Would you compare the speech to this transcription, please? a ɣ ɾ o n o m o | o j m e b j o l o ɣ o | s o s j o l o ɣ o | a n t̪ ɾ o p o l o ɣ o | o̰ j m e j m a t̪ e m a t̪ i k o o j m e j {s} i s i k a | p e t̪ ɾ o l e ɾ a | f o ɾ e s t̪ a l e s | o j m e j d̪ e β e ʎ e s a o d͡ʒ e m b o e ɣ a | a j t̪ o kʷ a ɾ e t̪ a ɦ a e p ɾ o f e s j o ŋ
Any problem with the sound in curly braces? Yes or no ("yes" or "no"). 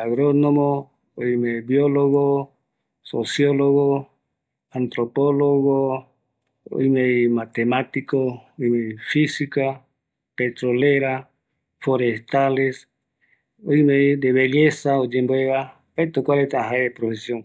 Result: yes